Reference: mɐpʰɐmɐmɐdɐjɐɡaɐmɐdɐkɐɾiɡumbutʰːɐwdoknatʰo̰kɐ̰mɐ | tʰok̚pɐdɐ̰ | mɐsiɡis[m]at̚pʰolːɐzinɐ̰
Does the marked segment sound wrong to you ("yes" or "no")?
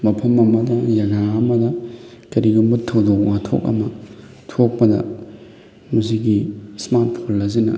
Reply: no